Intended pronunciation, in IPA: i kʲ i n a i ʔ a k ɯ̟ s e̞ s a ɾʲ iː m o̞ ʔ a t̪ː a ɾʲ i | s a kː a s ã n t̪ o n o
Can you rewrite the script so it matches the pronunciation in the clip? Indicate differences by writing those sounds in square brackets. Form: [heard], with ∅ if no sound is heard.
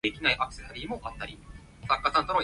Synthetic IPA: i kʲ i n a i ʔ a k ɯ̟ s e̞ s a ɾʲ iː m o̞ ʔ a t̪ː a ɾʲ i | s a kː a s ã n t̪ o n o